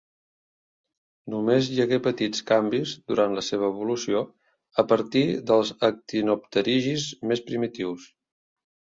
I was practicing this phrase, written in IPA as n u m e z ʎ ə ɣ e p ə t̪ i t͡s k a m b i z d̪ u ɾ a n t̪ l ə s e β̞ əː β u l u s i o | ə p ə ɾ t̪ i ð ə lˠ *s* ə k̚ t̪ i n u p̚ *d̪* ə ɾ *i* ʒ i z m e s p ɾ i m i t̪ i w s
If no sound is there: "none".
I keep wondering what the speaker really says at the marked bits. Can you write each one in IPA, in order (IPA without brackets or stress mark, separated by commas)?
z, t̪, i